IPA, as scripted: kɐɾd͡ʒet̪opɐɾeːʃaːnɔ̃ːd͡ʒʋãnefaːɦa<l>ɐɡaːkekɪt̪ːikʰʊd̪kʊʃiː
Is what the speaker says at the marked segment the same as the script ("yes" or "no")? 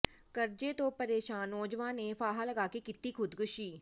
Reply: yes